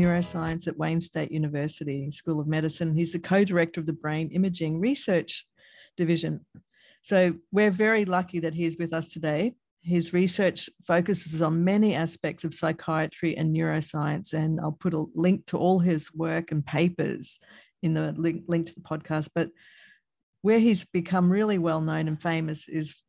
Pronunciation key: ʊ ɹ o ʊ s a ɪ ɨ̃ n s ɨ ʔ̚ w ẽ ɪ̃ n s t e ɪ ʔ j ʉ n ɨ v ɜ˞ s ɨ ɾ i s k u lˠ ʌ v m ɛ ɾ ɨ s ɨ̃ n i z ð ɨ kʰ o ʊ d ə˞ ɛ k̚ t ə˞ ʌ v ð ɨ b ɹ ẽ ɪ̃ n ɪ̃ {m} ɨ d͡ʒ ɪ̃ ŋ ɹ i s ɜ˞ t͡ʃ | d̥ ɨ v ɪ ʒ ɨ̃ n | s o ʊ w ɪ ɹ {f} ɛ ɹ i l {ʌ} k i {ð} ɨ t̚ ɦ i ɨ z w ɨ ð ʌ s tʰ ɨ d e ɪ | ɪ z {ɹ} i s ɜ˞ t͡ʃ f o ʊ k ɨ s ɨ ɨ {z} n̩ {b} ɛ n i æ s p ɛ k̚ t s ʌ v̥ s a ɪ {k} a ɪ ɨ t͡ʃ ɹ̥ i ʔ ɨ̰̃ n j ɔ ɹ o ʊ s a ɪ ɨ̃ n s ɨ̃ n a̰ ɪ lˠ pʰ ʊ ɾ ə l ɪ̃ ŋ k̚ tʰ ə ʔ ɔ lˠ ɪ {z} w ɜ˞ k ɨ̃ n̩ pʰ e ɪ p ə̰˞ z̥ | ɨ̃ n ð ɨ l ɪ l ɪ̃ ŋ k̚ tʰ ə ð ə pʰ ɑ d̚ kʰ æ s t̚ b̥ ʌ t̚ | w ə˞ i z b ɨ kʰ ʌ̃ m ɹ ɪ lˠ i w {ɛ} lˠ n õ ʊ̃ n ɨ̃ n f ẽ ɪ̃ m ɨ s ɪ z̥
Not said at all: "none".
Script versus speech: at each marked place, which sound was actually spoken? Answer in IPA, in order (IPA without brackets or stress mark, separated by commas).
m, v, ʌ, ð, ɹ, z, m, kʰ, z, ɛ